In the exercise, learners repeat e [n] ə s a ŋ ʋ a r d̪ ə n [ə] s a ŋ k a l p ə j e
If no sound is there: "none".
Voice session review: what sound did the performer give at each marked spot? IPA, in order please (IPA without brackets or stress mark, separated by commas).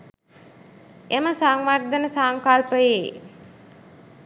m, ə